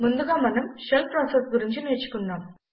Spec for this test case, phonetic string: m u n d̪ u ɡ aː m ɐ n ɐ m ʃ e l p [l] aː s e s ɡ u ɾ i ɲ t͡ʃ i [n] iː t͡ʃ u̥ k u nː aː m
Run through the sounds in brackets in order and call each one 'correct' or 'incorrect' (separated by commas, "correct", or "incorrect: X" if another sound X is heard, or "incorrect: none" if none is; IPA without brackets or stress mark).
incorrect: ɾ, correct